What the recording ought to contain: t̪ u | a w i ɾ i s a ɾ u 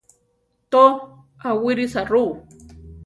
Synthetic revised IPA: t̪ o | a w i ɾ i s a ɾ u